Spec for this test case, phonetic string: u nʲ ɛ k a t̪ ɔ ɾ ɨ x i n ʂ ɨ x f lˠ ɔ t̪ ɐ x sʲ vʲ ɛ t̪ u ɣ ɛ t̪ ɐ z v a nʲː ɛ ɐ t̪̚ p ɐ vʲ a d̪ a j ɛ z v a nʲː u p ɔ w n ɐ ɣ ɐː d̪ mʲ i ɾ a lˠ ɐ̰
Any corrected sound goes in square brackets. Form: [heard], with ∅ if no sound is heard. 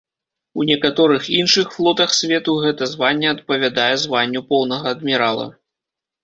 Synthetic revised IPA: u nʲ ɛ k a t̪ ɔ ɾ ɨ x i n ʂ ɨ x f lˠ ɔ t̪ ɐ x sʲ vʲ ɛ t̪ u ɣ ɛ t̪ ɐ z v a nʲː ɛ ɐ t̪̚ p ɐ vʲ a d̪ a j ɛ z v a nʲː u p ɔ w n ɐ ɣ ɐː d̪ mʲ i ɾ a lˠ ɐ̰